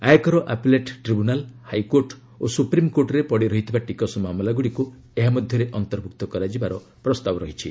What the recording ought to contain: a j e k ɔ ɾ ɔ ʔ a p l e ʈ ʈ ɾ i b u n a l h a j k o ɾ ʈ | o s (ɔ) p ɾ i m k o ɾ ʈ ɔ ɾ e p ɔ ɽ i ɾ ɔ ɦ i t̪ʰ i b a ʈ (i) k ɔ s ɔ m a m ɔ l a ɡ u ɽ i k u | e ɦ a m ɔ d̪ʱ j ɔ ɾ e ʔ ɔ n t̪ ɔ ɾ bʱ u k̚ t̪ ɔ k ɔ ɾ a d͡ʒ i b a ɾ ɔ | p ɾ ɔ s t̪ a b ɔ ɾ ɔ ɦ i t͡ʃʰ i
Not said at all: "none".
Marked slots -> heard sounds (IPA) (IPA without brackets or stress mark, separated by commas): u, i